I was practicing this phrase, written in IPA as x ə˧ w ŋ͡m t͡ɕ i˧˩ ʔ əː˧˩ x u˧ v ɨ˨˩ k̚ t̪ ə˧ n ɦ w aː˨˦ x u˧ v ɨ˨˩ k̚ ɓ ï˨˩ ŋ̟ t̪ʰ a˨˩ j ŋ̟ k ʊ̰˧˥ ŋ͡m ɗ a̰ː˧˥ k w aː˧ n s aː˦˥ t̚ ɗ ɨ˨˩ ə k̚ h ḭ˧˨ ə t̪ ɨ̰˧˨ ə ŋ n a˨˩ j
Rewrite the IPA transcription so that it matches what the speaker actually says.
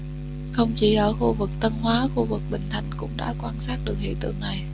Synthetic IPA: x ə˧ w ŋ͡m t͡ɕ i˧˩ ʔ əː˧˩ x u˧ v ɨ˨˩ k̚ t̪ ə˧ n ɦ w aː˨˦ x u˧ v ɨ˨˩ k̚ ɓ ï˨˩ ŋ̟ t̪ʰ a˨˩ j ŋ̟ k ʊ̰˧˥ ŋ͡m ɗ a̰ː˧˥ k w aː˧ n s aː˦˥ t̚ ɗ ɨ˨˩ ə k̚ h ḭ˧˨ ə t̪ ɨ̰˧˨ ə ŋ n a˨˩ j